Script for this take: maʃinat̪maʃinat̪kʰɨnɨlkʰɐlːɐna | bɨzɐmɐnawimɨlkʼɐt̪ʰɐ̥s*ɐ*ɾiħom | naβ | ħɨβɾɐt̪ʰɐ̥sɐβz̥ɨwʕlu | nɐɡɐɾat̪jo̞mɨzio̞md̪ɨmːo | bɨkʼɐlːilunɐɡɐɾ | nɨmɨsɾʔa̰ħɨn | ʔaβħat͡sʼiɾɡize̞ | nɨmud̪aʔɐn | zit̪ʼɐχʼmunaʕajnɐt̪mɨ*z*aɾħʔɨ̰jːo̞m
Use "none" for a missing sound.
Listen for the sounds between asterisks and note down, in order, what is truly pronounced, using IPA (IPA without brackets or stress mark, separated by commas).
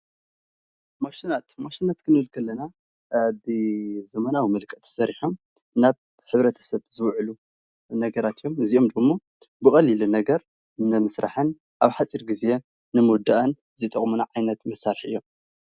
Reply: ɐ, s